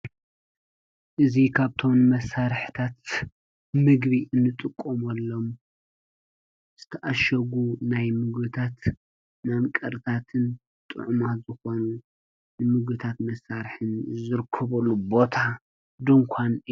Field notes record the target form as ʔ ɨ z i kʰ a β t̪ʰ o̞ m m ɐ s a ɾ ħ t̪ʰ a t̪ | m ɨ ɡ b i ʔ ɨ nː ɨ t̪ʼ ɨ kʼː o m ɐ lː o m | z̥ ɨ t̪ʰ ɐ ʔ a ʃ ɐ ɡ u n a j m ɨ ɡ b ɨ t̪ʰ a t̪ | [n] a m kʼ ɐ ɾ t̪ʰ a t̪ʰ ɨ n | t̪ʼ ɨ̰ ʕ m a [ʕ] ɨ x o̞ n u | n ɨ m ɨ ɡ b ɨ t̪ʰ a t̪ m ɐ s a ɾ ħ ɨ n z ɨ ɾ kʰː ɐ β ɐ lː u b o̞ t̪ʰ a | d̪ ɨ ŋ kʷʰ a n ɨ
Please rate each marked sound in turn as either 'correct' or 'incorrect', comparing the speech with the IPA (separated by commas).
correct, incorrect